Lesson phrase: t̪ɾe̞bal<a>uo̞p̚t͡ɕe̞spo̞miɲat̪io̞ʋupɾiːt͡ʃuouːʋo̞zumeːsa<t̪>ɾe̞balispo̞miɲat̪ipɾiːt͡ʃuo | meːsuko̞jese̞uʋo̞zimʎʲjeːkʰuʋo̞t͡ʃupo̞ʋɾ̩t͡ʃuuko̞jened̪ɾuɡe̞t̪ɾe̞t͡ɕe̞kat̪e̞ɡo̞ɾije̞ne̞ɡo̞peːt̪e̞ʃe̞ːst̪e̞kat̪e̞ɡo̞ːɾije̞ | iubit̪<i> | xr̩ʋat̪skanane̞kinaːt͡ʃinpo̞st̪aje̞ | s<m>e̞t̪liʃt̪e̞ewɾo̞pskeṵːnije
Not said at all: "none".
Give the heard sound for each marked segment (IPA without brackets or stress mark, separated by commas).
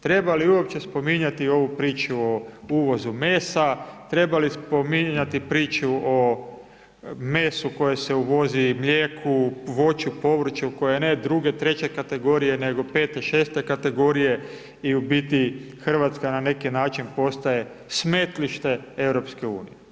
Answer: i, t̪, i, m